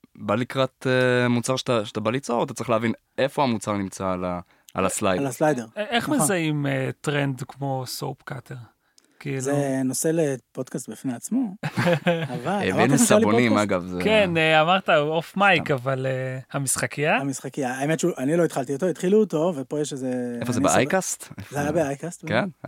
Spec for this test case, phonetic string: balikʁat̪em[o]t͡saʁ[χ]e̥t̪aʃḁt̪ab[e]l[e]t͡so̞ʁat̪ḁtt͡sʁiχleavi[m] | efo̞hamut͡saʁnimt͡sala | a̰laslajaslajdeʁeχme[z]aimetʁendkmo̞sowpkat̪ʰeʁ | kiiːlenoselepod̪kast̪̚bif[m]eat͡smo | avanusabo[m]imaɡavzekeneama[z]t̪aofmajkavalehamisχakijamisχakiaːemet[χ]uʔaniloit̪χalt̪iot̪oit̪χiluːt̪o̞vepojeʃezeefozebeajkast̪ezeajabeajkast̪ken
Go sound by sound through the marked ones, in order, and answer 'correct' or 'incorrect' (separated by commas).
incorrect, incorrect, incorrect, incorrect, incorrect, correct, incorrect, incorrect, incorrect, incorrect